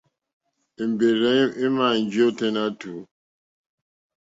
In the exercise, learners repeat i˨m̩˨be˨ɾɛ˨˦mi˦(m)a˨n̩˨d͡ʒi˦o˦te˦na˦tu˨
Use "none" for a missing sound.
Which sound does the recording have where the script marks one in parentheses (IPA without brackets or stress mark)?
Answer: m